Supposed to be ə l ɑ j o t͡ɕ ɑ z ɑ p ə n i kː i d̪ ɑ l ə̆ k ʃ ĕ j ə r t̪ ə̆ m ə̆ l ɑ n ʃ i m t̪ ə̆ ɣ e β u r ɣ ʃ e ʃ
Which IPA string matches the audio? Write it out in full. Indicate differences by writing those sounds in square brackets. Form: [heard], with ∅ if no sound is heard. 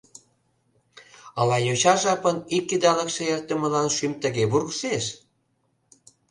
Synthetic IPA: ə l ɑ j o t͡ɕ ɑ [ʒ] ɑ p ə n i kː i d̪ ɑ l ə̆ k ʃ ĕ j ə r t̪ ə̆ m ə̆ l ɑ n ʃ [y] m t̪ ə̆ ɣ e β u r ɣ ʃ e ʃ